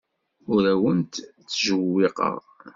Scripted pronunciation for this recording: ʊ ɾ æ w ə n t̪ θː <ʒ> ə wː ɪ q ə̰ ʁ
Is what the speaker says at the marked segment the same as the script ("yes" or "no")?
yes